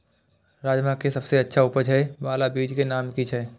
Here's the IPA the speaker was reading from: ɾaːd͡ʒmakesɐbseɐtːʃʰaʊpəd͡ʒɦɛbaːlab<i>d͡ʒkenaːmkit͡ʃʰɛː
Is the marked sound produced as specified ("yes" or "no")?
no